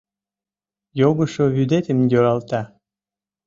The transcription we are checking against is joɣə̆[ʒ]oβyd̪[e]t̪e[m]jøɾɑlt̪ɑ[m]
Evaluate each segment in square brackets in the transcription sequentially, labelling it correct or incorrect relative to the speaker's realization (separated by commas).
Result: incorrect, correct, correct, incorrect